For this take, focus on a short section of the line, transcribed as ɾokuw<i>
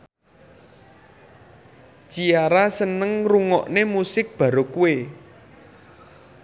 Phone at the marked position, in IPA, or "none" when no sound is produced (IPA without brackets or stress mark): e